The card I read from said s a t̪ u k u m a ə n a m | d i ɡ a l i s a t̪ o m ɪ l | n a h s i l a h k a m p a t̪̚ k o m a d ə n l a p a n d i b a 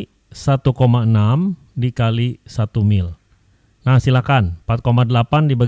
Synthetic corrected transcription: s a t̪ u k o m a ə n a m | d i k a l i s a t̪ u m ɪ l | n a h s i l a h k a n p a t̪̚ k o m a d ə l a p a n d i b a